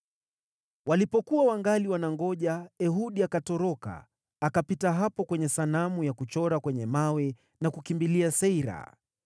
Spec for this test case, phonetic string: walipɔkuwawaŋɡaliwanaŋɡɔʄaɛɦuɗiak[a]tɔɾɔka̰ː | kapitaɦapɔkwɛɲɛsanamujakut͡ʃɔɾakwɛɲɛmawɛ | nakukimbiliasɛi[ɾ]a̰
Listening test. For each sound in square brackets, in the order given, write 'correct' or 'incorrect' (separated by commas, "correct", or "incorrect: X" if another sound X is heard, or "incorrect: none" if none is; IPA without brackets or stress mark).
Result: correct, correct